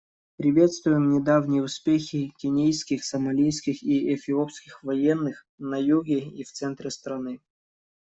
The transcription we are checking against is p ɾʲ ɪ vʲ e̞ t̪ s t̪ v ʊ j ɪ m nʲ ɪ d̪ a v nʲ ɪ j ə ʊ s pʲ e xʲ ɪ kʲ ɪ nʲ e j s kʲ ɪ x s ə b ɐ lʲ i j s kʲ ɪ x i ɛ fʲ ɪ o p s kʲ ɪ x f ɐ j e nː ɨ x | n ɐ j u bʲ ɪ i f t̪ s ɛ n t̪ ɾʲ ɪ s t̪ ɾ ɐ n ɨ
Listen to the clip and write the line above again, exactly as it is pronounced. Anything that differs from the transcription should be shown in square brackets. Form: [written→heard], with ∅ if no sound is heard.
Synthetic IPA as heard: p ɾʲ ɪ vʲ e̞ t̪ s t̪ v ʊ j ɪ m nʲ ɪ d̪ a v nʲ ɪ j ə ʊ s pʲ e xʲ ɪ kʲ ɪ nʲ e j s kʲ ɪ x s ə [b→m] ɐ lʲ i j s kʲ ɪ x i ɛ fʲ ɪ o p s kʲ ɪ x [f→v] ɐ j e nː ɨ x | n ɐ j u [bʲ→ɡʲ] ɪ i f t̪ s ɛ n t̪ ɾʲ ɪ s t̪ ɾ ɐ n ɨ

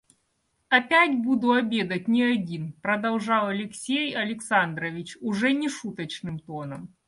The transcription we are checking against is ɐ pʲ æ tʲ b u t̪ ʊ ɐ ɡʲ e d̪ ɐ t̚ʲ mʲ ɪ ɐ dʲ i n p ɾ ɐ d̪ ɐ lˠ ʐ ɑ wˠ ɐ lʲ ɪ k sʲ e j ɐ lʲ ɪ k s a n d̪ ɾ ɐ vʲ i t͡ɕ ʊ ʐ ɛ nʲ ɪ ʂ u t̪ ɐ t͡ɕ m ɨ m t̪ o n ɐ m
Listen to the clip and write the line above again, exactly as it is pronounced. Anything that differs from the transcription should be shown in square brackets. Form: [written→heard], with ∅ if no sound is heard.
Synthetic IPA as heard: ɐ pʲ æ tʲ b u [t̪→d̪] ʊ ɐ [ɡʲ→bʲ] e d̪ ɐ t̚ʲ [mʲ→nʲ] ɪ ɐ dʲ i n p ɾ ɐ d̪ ɐ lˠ ʐ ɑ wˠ ɐ lʲ ɪ k sʲ e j ɐ lʲ ɪ k s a n d̪ ɾ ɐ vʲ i t͡ɕ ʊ ʐ ɛ nʲ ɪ ʂ u t̪ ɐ t͡ɕ [m→n] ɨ m t̪ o n ɐ m

